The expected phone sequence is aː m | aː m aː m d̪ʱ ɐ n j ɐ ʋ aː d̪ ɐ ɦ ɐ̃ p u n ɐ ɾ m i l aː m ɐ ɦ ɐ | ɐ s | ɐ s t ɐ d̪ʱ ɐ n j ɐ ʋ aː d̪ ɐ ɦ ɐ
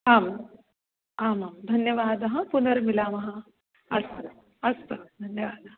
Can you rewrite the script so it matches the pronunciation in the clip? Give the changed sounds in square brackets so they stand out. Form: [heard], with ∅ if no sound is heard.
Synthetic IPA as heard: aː m | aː m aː m d̪ʱ ɐ n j ɐ ʋ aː d̪ ɐ ɦ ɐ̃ p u n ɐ ɾ m i l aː m ɐ ɦ ɐ | ɐ s | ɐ s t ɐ d̪ʱ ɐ n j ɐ ʋ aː d̪ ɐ ɦ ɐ

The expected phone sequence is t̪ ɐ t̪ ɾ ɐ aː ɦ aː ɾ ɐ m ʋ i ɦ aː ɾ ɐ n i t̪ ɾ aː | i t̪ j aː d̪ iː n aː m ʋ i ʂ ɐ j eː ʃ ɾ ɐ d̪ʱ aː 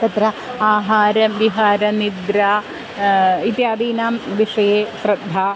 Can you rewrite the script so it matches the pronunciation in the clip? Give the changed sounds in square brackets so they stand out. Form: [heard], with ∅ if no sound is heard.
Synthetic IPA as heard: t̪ ɐ t̪ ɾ ɐ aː ɦ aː ɾ ɐ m ʋ i ɦ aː ɾ ɐ n i [d̪] ɾ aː | i t̪ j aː d̪ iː n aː m ʋ i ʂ ɐ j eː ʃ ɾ ɐ d̪ʱ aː

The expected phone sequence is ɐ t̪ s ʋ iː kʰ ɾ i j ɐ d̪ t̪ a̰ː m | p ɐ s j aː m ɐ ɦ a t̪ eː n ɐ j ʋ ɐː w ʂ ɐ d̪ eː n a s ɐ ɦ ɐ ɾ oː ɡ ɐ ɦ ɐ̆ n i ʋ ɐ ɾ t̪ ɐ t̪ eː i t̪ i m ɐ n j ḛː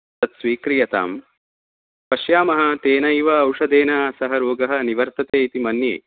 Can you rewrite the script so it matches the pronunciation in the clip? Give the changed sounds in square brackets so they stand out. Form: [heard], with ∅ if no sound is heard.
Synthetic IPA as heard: ɐ t̪ s ʋ iː [k] ɾ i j ɐ [∅] t̪ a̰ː m | p ɐ [ʃ] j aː m ɐ ɦ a t̪ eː n ɐ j ʋ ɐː w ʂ ɐ d̪ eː n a s ɐ ɦ ɐ ɾ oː ɡ ɐ ɦ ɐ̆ n i ʋ ɐ ɾ t̪ ɐ t̪ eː i t̪ i m ɐ n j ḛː

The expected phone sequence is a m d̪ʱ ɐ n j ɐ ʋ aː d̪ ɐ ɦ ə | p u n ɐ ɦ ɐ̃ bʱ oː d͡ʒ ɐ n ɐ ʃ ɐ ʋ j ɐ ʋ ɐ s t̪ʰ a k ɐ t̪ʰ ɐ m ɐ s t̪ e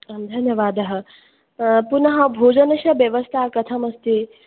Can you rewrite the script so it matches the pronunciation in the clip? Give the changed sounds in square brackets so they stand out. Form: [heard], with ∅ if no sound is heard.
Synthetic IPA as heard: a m d̪ʱ ɐ n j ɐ ʋ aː d̪ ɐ ɦ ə | p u n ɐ ɦ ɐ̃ bʱ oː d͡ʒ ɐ n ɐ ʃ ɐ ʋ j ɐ ʋ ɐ s t̪ʰ a k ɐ t̪ʰ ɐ m ɐ s t̪ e

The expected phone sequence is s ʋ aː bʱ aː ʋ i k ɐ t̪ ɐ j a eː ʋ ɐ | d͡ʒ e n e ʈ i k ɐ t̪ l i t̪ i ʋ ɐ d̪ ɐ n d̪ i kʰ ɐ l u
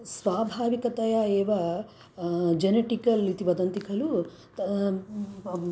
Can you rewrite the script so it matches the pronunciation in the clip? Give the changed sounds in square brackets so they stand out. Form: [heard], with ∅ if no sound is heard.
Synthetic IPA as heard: s ʋ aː bʱ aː ʋ i k ɐ t̪ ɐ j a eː ʋ ɐ | d͡ʒ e n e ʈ i k ɐ [∅] l i t̪ i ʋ ɐ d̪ ɐ n [t̪] i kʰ ɐ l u

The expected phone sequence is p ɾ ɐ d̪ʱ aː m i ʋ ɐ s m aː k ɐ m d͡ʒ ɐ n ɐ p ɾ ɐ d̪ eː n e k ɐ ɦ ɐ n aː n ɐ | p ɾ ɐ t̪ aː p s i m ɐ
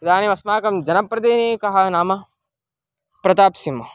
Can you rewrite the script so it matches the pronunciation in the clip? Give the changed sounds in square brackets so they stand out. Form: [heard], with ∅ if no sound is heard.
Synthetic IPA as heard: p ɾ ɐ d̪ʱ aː [n] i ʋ ɐ s m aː k ɐ m d͡ʒ ɐ n ɐ p ɾ ɐ d̪ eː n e k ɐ ɦ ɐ n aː [m] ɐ | p ɾ ɐ t̪ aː p s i m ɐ

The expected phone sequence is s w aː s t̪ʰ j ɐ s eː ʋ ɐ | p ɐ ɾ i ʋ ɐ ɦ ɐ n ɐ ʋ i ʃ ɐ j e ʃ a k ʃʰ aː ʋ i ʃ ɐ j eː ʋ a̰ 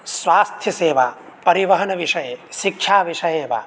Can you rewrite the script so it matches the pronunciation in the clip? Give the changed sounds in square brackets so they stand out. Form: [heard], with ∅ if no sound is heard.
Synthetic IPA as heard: s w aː s t̪ʰ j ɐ s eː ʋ [a] | p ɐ ɾ i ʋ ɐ ɦ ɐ n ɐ ʋ i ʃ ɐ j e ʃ [i] k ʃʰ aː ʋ i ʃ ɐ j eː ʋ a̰

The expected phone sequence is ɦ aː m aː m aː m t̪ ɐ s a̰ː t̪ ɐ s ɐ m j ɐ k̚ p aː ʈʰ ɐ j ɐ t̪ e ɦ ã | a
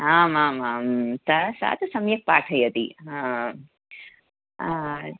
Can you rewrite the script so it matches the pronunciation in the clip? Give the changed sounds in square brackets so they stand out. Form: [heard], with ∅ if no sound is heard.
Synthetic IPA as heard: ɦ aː m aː m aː m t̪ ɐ s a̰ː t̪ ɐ s ɐ m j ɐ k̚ p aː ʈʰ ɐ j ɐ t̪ [i] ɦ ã | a

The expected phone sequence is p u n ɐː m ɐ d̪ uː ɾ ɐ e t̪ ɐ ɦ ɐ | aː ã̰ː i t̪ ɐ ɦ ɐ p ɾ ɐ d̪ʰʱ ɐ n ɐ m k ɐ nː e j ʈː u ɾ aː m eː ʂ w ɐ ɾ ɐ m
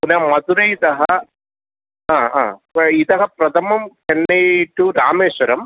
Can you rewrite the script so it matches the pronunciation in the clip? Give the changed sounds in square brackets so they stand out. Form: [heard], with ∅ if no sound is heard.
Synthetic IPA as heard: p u n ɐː m ɐ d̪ [u] ɾ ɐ [i] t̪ ɐ ɦ ɐ | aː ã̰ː i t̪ ɐ ɦ ɐ p ɾ ɐ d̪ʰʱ ɐ [m] ɐ m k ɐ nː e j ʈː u ɾ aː m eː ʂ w ɐ ɾ ɐ m

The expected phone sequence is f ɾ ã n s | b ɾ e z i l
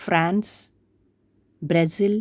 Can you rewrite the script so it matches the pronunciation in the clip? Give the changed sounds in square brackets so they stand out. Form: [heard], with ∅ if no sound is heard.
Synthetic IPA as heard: f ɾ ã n s | b ɾ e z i l

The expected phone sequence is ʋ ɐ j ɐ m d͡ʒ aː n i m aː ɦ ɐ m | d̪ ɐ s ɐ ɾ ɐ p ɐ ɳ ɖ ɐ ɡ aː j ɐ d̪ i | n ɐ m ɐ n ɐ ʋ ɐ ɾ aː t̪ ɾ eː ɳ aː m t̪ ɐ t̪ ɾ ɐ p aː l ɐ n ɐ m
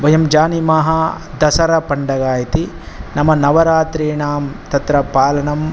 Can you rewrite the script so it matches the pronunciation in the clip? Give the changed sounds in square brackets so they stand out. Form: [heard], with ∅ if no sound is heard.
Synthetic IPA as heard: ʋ ɐ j ɐ m d͡ʒ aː n i m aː ɦ ɐ [∅] | d̪ ɐ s ɐ ɾ ɐ p ɐ ɳ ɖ ɐ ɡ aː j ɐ [t̪] i | n ɐ m ɐ n ɐ ʋ ɐ ɾ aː t̪ ɾ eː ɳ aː m t̪ ɐ t̪ ɾ ɐ p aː l ɐ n ɐ m

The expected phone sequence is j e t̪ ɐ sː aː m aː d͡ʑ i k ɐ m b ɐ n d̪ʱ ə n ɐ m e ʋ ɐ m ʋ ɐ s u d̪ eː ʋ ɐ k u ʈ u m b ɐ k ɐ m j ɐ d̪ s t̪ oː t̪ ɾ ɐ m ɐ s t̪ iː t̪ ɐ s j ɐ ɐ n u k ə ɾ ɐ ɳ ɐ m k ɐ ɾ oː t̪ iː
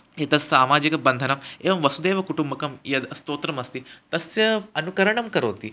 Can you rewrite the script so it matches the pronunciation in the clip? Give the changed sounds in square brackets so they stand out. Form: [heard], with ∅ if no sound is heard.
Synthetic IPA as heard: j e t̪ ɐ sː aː m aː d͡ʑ i k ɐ [∅] b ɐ n d̪ʱ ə n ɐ m e ʋ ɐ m ʋ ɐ s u d̪ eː ʋ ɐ k u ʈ u m b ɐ k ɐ m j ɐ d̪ s t̪ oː t̪ ɾ ɐ m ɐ s t̪ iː t̪ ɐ s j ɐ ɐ n u k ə ɾ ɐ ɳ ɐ m k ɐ ɾ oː t̪ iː

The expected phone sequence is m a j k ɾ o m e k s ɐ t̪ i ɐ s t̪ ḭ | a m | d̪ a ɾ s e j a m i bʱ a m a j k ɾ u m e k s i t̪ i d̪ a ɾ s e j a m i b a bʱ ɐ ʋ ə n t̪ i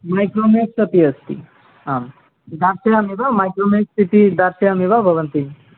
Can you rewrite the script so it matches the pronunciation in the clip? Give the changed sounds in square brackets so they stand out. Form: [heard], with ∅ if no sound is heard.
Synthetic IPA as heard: m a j k ɾ o m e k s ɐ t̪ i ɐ s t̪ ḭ | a m | d̪ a ɾ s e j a m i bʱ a m a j k ɾ [o] m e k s i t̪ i d̪ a ɾ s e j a m i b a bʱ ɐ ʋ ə n t̪ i

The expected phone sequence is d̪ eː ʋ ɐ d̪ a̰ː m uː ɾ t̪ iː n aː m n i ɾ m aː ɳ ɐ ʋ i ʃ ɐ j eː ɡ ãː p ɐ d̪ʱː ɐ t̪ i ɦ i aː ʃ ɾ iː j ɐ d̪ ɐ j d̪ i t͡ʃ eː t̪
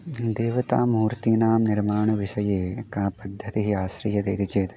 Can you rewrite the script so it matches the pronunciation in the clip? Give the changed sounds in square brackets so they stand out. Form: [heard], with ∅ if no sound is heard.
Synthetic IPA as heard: d̪ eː ʋ ɐ [t̪] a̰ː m uː ɾ t̪ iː n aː m n i ɾ m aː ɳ ɐ ʋ i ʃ ɐ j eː [k] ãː p ɐ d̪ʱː ɐ t̪ i ɦ i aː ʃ ɾ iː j ɐ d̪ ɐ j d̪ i t͡ʃ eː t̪

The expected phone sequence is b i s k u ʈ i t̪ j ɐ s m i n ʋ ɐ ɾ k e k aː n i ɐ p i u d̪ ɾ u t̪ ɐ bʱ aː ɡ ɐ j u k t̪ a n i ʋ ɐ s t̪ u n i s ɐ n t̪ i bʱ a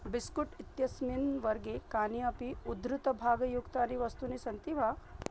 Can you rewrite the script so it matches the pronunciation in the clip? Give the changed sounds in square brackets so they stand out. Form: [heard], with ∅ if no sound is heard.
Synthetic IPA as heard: b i s k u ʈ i t̪ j ɐ s m i n ʋ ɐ ɾ [ɡ] e k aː n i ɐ p i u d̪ ɾ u t̪ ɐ bʱ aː ɡ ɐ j u k t̪ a n i ʋ ɐ s t̪ u n i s ɐ n t̪ i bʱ a

